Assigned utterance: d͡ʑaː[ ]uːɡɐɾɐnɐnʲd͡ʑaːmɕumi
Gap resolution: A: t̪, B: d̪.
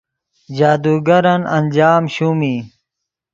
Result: B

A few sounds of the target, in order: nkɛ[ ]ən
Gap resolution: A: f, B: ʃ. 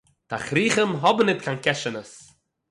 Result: B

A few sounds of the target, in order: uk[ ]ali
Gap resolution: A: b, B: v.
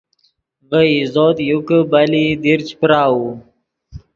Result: A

